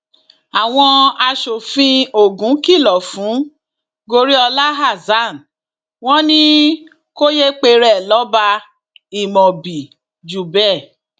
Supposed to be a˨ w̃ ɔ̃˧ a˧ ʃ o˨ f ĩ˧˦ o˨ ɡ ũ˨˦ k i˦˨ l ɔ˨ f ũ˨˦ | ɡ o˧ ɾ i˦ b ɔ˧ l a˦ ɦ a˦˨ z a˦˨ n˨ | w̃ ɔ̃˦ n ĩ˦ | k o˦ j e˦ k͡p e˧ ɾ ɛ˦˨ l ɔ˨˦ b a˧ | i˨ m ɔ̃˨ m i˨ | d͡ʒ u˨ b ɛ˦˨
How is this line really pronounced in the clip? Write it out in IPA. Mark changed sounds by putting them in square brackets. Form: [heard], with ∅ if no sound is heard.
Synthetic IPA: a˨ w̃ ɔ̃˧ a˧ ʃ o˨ f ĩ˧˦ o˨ ɡ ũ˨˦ k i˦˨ l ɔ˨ f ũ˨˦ | ɡ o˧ ɾ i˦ [∅] ɔ˧ l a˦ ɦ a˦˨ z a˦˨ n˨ | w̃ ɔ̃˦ n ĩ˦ | k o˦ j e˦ k͡p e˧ ɾ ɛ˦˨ l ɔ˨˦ b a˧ | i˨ m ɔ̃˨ [b] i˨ | d͡ʒ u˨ b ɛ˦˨